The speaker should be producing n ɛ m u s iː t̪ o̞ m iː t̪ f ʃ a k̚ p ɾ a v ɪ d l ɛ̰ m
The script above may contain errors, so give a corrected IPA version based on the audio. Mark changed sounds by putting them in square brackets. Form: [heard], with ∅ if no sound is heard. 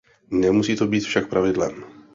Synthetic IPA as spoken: n ɛ m u s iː t̪ o̞ [b] iː t̪ f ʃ a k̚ p ɾ a v ɪ d l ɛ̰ m